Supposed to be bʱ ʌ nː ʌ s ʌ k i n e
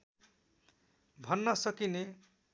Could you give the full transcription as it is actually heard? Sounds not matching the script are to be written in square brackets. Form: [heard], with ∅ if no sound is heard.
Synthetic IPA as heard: bʱ ʌ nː ʌ s ʌ k i n e

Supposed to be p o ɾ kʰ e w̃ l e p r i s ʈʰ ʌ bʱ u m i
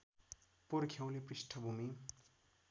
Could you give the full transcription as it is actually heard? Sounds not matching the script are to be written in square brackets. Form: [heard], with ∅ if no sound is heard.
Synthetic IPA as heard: p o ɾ kʰ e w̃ l e p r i s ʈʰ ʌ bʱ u m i

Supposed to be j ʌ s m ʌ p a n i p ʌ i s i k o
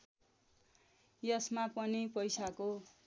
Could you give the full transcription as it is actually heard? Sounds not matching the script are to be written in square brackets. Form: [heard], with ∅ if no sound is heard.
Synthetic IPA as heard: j ʌ s m [a] p [ʌ] n i p ʌ [j] s [a] k o

